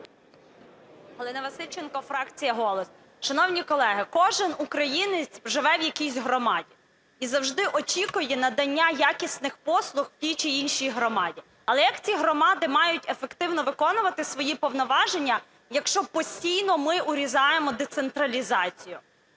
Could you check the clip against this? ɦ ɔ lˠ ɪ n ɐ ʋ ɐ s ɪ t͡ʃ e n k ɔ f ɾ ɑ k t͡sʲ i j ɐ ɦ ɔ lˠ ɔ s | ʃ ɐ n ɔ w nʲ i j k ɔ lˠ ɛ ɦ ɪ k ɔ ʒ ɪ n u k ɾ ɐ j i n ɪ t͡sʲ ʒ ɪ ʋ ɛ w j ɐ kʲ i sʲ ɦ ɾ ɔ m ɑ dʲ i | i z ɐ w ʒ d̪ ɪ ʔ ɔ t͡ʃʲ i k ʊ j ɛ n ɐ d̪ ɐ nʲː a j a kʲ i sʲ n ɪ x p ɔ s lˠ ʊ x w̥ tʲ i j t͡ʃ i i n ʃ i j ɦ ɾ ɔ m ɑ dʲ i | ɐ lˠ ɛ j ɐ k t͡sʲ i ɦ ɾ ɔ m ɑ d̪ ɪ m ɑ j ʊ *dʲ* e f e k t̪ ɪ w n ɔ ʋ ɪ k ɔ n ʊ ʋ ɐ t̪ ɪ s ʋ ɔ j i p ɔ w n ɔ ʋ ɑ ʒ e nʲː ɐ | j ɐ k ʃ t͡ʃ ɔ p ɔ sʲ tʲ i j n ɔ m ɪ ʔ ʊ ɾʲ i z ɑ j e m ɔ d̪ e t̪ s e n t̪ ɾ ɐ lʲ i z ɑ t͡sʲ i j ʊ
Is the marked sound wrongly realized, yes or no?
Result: yes